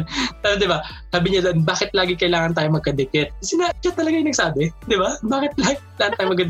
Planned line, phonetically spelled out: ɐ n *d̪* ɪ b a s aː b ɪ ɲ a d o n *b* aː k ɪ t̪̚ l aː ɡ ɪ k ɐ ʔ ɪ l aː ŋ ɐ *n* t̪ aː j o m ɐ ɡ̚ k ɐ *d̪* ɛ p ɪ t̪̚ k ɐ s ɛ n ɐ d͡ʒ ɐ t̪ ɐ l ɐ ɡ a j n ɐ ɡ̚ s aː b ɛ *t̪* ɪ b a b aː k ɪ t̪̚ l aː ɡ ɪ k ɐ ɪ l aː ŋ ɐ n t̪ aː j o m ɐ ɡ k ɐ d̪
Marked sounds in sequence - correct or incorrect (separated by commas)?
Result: correct, correct, correct, correct, incorrect